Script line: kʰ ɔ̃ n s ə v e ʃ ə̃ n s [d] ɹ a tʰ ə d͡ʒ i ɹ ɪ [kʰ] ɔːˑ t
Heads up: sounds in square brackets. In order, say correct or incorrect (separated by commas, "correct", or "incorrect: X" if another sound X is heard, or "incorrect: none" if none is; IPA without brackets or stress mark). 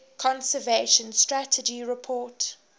incorrect: t, incorrect: pʰ